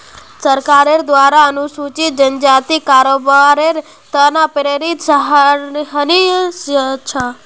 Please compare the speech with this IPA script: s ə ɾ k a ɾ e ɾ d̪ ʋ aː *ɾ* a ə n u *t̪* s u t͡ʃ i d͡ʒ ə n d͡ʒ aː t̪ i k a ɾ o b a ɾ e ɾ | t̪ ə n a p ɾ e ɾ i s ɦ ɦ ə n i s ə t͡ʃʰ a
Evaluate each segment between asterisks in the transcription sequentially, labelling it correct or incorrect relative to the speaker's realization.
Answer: correct, incorrect: none

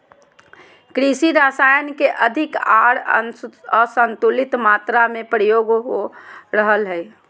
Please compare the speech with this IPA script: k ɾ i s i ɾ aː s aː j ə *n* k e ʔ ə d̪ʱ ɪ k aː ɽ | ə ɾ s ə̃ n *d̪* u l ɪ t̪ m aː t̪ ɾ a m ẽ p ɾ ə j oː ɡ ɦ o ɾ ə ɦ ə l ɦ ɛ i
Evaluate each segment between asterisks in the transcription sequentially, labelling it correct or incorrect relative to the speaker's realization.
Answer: correct, incorrect: t̪

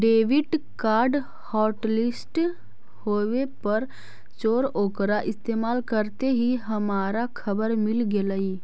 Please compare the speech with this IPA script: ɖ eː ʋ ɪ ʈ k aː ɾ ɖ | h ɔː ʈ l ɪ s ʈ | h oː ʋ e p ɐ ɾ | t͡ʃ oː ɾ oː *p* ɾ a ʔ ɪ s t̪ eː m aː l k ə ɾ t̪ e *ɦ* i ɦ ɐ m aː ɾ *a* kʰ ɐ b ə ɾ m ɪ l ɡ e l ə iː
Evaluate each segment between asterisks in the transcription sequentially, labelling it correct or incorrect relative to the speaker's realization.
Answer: incorrect: k, correct, correct

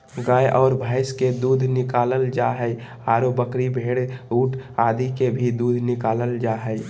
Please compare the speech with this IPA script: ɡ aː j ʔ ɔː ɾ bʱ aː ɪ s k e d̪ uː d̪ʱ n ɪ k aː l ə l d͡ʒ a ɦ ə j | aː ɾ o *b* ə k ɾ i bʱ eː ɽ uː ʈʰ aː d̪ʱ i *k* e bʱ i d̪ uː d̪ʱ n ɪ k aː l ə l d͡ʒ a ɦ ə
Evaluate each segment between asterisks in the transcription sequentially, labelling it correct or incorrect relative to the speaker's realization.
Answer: correct, correct

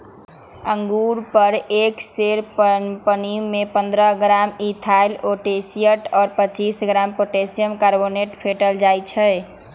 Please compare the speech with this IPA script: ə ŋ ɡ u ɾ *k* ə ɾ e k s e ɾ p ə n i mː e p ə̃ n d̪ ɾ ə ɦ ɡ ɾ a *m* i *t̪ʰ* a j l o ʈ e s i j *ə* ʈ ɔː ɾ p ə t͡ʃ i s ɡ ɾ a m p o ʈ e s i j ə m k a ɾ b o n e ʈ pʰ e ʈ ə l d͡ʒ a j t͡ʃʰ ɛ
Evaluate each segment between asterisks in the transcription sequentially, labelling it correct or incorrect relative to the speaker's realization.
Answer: incorrect: p, correct, correct, correct

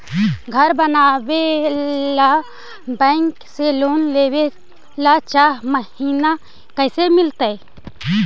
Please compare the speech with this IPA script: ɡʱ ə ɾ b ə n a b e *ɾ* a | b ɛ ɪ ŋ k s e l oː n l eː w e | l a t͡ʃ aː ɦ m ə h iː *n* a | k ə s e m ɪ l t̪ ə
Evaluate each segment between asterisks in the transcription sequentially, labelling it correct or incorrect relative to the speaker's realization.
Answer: incorrect: l, correct

